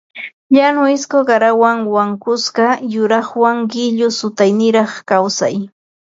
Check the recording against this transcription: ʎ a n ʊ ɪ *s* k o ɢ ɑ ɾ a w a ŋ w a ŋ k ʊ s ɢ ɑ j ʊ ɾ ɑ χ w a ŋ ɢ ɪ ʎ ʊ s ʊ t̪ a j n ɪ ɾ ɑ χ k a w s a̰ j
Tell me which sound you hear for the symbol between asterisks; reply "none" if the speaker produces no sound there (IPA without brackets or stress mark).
s